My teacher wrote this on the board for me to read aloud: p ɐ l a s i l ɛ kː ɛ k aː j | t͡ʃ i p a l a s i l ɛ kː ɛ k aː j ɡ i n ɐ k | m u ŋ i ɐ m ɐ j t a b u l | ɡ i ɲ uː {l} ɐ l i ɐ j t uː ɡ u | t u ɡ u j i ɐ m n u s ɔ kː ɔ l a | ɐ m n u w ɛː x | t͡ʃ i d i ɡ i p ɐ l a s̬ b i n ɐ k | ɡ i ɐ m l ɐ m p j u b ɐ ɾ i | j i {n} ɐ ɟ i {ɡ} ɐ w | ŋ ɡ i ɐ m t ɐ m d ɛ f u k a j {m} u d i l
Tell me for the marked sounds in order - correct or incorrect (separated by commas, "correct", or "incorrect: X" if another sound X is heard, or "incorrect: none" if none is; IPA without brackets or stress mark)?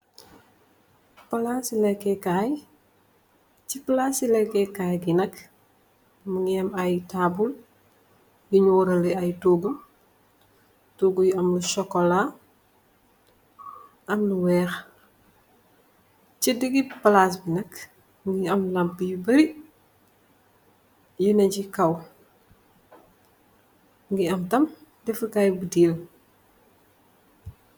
incorrect: ɾ, correct, incorrect: k, incorrect: b